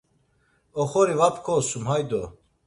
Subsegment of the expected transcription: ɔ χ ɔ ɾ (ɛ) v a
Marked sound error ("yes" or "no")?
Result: yes